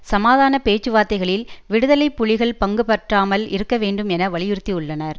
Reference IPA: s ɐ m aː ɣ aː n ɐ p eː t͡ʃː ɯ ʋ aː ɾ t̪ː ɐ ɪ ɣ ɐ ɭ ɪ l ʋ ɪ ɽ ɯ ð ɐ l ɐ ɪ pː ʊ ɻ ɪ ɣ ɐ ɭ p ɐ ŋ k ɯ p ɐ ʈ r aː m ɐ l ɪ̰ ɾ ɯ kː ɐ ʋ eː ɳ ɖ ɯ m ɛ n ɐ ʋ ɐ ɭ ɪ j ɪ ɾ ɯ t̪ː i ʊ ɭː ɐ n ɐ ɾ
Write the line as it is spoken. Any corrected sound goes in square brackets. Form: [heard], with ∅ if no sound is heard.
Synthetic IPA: s ɐ m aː [ð] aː n ɐ p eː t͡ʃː ɯ ʋ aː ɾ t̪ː ɐ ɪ ɣ ɐ ɭ ɪ l ʋ ɪ ɽ ɯ ð ɐ l ɐ ɪ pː ʊ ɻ ɪ ɣ ɐ ɭ p ɐ ŋ [ɡ] ɯ p ɐ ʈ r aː m ɐ l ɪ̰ ɾ ɯ kː ɐ ʋ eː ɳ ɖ ɯ m ɛ n ɐ ʋ ɐ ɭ ɪ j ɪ ɾ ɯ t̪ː i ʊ ɭː ɐ n ɐ ɾ